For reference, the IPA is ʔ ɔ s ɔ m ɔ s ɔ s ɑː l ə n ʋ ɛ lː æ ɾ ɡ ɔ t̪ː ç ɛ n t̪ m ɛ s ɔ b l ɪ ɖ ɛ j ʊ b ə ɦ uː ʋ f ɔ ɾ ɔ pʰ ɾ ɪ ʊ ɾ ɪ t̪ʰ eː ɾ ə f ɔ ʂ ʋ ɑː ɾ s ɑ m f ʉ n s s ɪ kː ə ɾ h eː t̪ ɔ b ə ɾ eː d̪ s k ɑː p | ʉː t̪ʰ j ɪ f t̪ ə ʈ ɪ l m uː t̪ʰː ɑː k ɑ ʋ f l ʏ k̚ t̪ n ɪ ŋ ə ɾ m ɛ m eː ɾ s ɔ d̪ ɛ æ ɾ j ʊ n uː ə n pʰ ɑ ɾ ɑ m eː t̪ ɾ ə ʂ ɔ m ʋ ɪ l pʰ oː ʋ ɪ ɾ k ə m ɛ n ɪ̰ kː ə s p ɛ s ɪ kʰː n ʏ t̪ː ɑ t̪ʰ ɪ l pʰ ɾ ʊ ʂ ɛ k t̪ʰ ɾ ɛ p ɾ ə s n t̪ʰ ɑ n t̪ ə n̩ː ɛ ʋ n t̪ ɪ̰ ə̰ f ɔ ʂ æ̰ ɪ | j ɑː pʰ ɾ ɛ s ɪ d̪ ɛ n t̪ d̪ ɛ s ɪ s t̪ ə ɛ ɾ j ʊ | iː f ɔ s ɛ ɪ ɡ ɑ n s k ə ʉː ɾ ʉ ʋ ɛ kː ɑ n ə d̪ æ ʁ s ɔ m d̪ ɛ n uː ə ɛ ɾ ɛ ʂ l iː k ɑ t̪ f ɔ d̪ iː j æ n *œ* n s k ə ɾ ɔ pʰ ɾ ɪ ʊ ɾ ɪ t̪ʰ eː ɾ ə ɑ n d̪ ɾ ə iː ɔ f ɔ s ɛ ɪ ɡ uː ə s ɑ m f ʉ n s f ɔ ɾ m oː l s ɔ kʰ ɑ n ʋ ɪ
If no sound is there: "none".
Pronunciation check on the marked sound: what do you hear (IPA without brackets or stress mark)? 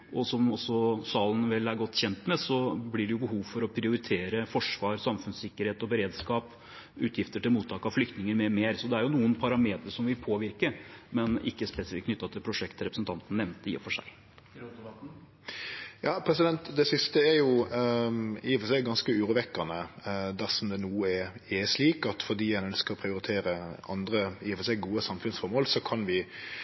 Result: œ